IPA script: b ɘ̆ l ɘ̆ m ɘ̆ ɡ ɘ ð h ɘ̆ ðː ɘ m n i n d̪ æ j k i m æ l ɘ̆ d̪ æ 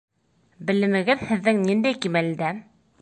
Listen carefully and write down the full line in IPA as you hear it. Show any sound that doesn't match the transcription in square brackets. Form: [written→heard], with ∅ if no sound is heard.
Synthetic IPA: b ɘ̆ l ɘ̆ m ɘ̆ ɡ ɘ ð h ɘ̆ ðː ɘ [m→ŋ] n i n d̪ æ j k i m æ l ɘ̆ d̪ æ